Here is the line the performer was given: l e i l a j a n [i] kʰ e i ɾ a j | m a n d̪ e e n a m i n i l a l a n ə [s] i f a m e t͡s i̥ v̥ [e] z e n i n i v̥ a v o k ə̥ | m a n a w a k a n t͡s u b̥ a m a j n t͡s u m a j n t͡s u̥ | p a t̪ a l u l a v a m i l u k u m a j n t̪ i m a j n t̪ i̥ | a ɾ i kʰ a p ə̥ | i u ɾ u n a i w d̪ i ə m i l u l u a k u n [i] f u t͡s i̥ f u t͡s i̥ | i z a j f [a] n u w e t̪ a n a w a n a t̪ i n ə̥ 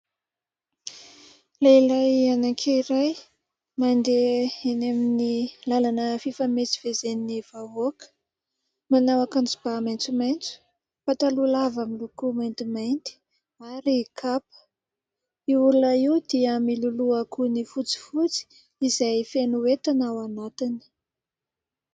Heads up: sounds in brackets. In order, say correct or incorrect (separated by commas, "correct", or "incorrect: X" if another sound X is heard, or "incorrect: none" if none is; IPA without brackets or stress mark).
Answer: incorrect: a, incorrect: f, correct, correct, incorrect: e